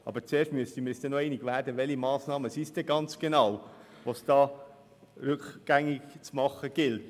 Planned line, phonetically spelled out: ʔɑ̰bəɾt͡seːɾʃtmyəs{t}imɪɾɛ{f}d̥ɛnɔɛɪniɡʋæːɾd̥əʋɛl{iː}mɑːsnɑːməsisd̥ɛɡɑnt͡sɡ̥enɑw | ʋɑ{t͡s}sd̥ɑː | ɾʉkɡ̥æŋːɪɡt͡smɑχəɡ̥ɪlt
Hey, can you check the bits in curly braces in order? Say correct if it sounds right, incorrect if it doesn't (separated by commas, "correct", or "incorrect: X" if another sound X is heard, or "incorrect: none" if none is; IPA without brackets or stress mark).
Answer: correct, incorrect: s, incorrect: i, incorrect: none